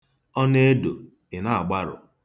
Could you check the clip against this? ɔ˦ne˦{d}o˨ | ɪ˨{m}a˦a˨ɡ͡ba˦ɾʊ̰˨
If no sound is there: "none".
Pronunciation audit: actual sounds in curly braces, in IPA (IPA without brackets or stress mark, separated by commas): d, n